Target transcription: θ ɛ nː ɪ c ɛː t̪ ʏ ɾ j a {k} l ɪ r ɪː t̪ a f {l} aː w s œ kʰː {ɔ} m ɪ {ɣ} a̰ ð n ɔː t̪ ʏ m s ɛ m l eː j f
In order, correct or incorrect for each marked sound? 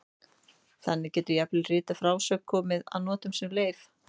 incorrect: p, incorrect: ɾ, incorrect: ɔː, incorrect: ð

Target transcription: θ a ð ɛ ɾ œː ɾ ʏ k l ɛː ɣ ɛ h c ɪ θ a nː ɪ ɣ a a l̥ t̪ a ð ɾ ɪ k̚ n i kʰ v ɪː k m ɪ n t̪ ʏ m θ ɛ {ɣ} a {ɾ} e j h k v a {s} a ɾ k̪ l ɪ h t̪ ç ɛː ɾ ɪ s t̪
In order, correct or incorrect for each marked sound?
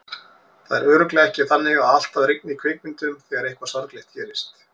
correct, correct, correct

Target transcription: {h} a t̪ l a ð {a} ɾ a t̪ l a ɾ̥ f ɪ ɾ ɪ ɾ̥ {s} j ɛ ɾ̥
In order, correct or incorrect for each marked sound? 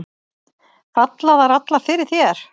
incorrect: f, correct, incorrect: θ

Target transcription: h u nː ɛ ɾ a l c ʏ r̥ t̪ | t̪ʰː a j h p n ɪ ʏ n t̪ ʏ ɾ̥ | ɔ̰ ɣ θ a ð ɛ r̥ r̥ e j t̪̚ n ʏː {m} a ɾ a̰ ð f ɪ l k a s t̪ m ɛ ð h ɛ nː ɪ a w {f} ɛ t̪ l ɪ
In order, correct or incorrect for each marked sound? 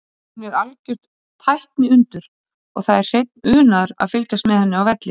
incorrect: n, incorrect: v

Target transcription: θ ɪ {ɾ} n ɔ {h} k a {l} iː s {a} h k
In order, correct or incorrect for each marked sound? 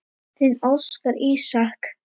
incorrect: none, incorrect: s, incorrect: ɾ, correct

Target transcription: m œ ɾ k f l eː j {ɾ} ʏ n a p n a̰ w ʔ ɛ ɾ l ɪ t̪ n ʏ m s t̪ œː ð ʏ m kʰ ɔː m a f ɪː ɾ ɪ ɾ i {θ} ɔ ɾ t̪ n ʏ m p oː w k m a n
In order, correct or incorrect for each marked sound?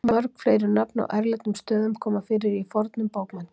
correct, incorrect: f

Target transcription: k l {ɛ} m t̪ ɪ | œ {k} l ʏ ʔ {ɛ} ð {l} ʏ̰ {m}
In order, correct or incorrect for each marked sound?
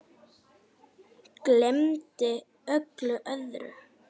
correct, correct, incorrect: œ, incorrect: ɾ, incorrect: none

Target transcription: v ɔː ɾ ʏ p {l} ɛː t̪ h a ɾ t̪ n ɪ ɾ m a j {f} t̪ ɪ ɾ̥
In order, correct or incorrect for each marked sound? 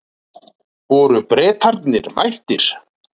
incorrect: ɾ, incorrect: h

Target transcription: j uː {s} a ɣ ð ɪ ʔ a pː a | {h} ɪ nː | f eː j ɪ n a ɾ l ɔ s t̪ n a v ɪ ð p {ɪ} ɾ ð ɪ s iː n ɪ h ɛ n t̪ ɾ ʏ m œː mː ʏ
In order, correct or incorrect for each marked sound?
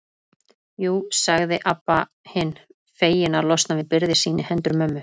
correct, correct, correct

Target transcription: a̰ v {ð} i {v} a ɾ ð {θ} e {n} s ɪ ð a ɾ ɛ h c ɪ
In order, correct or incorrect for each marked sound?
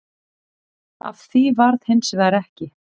incorrect: θ, correct, incorrect: h, correct

